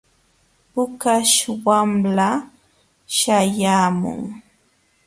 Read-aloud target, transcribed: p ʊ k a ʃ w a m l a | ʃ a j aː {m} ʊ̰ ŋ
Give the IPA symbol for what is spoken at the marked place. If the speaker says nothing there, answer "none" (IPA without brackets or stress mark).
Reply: m